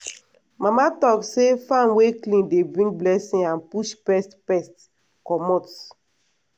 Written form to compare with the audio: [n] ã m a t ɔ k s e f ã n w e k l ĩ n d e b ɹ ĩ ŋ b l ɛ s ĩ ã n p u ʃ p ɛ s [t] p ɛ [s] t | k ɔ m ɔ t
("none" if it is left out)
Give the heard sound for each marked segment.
m, t, s

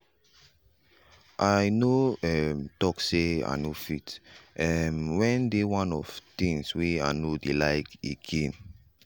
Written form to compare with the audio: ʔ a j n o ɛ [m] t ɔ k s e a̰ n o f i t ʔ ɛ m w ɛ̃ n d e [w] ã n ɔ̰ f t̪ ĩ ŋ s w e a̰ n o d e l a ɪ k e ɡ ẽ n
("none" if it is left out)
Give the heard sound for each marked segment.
m, w

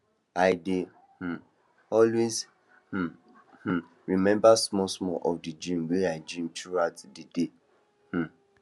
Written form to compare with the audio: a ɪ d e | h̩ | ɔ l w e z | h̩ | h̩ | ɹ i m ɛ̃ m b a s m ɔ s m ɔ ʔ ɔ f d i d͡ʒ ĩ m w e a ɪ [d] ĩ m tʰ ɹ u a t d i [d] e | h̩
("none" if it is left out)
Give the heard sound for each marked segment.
d͡ʒ, d

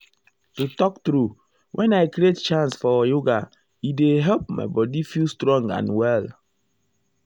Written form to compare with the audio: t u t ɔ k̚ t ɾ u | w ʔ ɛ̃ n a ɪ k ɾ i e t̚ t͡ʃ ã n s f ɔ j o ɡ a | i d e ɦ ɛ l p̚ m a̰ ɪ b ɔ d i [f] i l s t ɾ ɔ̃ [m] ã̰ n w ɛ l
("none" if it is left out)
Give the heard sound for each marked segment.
f, ŋ

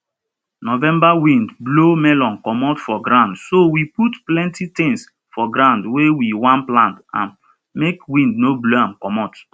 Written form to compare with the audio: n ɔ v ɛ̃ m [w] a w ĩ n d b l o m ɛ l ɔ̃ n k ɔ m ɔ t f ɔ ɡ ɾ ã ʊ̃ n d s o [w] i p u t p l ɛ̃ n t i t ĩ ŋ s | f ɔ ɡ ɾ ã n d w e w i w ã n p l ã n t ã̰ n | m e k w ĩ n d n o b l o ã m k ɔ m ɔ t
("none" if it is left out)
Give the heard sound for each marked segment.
b, w

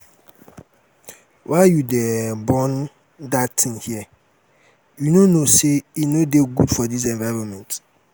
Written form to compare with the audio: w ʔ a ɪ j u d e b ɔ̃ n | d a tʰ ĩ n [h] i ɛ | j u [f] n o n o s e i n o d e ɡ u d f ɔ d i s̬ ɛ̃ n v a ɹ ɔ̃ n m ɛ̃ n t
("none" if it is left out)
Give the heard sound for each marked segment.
h, none

